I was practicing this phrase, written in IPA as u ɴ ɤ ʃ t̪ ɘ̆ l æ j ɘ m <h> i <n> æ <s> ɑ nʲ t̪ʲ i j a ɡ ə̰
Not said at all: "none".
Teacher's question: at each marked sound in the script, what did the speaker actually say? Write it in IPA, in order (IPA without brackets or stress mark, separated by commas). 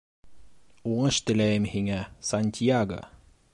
h, ŋ, s